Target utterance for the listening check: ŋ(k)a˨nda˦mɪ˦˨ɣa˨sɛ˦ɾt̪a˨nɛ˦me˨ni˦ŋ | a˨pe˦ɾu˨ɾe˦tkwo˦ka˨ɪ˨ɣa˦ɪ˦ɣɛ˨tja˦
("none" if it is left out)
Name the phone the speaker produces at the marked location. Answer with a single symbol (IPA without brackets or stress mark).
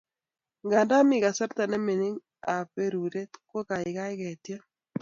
ɡ